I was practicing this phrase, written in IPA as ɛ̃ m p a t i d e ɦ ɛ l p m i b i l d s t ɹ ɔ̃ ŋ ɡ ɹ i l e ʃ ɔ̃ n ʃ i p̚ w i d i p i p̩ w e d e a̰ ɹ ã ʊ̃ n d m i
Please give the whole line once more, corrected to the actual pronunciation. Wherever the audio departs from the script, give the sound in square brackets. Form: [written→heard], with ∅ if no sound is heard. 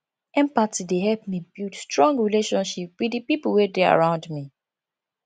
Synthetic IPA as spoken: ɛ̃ m p a t i d e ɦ ɛ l p m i b i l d s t ɹ ɔ̃ ŋ ɡ ɹ i l e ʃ ɔ̃ n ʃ i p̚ w i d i p i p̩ w e d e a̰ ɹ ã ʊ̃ n d m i